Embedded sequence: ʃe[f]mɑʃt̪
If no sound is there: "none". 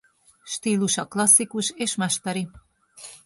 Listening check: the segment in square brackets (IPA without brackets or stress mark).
ʃ